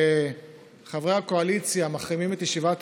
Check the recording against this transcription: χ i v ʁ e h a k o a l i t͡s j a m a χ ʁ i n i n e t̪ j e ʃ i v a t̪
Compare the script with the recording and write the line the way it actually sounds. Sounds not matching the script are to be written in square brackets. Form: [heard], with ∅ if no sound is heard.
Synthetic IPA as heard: χ [a] v ʁ e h a k o a l i t͡s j a m a χ ʁ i [m] i [m] e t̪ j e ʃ i v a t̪